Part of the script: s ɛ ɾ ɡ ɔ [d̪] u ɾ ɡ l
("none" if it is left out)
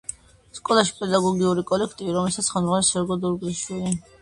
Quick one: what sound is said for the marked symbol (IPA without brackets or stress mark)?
d̪